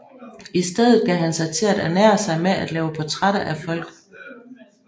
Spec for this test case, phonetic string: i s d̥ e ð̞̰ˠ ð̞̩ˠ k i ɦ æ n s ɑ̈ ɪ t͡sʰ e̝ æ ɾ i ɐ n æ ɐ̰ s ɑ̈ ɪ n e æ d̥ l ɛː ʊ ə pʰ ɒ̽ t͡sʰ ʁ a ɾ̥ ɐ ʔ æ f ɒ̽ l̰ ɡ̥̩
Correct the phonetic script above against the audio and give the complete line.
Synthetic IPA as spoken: i s d̥ e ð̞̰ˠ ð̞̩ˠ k æ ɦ æ n s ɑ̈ ɪ t͡sʰ e̝ æ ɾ æ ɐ n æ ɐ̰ s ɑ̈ ɪ m e æ d̥ l ɛː ʊ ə pʰ ɒ̽ t͡sʰ ʁ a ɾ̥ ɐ ʔ æ f ɒ̽ l̰ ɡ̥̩